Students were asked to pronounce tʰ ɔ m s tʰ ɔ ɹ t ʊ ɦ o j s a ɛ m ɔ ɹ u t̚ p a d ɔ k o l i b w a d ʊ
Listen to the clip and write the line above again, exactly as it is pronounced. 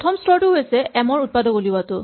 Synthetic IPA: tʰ ɔ m s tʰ ɔ ɹ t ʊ ɦ o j s ɛ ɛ m ɔ ɹ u t̚ p a d ɔ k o l i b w a t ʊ